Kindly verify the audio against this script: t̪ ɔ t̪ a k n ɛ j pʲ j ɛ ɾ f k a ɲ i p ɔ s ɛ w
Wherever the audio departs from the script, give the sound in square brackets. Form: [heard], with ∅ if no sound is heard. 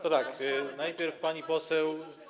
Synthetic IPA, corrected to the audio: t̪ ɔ t̪ a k n [a] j pʲ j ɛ ɾ f [p] a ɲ i p ɔ s ɛ w